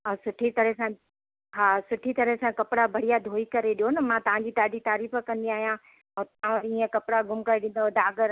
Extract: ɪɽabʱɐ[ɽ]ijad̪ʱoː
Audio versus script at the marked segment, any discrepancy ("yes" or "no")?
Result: no